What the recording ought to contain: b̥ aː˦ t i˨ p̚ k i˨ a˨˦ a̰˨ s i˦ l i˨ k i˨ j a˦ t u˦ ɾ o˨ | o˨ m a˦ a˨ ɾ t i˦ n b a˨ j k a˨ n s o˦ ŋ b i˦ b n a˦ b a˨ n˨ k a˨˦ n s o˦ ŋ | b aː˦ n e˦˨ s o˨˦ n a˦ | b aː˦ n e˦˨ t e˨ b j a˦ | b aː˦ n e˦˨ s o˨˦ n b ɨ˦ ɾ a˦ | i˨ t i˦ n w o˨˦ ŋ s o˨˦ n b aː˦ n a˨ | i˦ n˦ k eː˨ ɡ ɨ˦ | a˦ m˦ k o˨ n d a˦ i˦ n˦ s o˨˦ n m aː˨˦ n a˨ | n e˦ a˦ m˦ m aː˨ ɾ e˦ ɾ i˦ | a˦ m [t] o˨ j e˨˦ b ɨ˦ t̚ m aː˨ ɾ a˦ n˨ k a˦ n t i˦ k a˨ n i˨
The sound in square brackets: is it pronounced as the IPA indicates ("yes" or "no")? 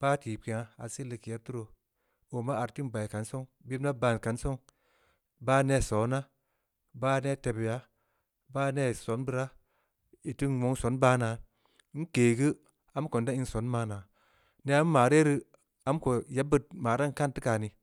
no